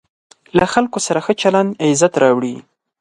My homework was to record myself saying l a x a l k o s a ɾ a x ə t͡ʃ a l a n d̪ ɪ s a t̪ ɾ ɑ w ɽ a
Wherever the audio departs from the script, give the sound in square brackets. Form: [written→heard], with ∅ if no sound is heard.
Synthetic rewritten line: l a x a l k o s a ɾ a x ə t͡ʃ a l a n d̪ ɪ [s→z] a t̪ ɾ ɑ w ɽ [a→i]